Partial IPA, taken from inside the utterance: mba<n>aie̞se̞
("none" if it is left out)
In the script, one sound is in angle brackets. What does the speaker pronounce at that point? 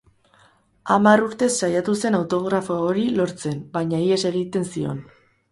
ɲ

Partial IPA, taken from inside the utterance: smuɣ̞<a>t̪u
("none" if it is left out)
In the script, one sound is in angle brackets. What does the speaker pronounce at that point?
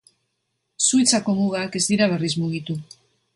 i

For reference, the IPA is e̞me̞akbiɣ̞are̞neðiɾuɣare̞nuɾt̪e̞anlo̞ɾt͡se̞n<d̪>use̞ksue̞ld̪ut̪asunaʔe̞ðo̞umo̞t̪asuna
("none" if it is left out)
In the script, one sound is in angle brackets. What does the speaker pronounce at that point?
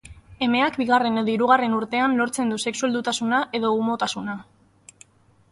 d̪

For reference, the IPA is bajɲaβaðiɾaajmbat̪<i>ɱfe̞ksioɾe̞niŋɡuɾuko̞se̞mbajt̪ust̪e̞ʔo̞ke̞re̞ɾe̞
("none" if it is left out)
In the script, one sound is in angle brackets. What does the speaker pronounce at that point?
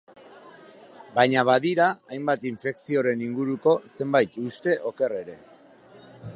i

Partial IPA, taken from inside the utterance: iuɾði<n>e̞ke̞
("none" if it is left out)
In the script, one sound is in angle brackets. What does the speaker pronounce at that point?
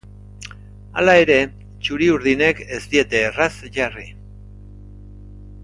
n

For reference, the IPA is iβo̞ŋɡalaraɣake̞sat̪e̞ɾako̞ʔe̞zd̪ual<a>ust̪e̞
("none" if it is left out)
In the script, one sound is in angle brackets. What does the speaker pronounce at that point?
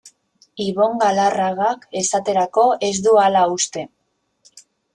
a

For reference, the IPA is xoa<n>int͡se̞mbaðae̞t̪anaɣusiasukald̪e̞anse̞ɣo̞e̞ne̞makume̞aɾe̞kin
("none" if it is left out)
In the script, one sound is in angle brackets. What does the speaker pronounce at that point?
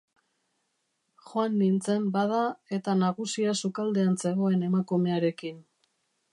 nː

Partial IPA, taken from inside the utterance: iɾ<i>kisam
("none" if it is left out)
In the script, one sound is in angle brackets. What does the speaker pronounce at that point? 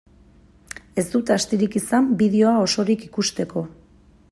i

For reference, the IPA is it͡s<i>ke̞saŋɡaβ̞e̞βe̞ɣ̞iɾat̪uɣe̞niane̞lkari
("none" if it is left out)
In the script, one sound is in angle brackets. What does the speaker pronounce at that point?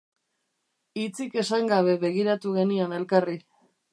i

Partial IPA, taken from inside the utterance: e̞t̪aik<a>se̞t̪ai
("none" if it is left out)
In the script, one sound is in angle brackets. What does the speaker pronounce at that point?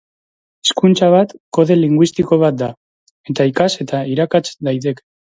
a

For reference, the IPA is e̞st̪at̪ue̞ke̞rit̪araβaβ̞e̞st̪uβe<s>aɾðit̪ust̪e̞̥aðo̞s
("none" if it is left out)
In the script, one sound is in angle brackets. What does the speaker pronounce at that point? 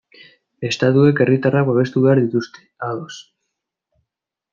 none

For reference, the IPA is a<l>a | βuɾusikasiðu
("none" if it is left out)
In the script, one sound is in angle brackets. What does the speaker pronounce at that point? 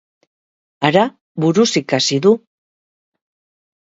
ɾ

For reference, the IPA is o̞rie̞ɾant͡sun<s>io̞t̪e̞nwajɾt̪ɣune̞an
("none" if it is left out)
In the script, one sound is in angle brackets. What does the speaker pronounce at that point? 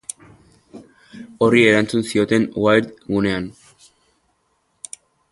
s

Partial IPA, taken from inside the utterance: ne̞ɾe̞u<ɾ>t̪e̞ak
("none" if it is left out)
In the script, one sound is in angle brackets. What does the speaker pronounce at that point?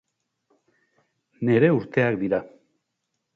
ɾ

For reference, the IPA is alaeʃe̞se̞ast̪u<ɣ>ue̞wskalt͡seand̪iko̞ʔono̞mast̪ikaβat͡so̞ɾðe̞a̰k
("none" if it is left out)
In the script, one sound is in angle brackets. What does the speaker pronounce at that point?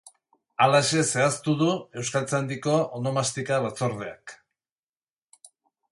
ð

